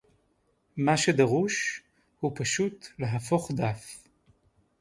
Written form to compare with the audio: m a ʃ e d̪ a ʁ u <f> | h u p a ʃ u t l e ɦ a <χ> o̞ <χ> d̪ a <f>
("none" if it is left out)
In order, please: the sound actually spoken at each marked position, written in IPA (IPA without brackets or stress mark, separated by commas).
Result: ʃ, f, χ, f